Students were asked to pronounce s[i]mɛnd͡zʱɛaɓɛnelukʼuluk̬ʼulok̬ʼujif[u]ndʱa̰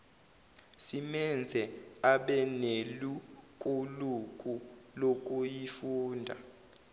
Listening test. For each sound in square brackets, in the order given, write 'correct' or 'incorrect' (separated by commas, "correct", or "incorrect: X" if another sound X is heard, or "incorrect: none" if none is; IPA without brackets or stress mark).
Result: correct, incorrect: uː